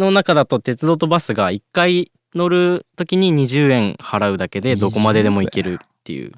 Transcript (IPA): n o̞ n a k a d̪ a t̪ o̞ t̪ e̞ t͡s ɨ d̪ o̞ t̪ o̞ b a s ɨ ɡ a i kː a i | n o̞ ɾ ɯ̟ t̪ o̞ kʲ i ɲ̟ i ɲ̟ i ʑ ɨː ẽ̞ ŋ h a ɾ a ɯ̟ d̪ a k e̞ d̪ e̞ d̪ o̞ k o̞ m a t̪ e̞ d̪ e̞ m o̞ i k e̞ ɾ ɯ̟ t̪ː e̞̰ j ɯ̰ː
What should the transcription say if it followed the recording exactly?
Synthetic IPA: n o̞ n a k a d̪ a t̪ o̞ t̪ e̞ t͡s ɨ d̪ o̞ t̪ o̞ b a s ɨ ɡ a i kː a i | n o̞ ɾ ɯ̟ t̪ o̞ kʲ i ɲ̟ i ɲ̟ i ʑ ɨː ẽ̞ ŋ h a ɾ a ɯ̟ d̪ a k e̞ d̪ e̞ d̪ o̞ k o̞ m a d̪ e̞ d̪ e̞ m o̞ i k e̞ ɾ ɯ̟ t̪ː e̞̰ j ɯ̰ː